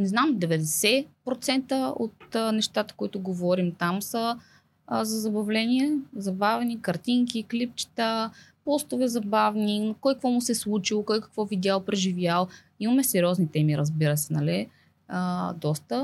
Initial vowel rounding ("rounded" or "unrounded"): unrounded